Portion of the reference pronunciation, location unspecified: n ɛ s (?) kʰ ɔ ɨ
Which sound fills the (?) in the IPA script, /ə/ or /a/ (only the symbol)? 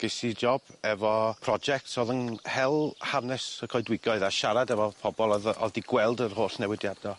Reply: ə